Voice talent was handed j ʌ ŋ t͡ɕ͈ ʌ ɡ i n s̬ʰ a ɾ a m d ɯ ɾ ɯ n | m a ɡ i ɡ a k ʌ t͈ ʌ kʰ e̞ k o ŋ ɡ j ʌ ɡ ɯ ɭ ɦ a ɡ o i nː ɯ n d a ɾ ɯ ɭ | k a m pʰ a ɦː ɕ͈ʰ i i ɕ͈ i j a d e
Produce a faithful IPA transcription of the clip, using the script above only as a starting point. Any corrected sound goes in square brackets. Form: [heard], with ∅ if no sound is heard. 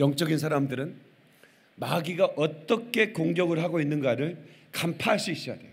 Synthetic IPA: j ʌ ŋ t͡ɕ͈ ʌ ɡ i n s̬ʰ a ɾ a m d ɯ ɾ ɯ n | m a ɡ i ɡ a [ʔ] ʌ t͈ ʌ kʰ e̞ k o ŋ ɡ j ʌ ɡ ɯ ɭ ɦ a ɡ o i nː ɯ n [ɡ] a ɾ ɯ ɭ | k a m pʰ a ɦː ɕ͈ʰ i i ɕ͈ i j a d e